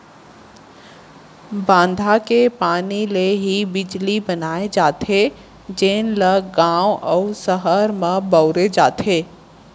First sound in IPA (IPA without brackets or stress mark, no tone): b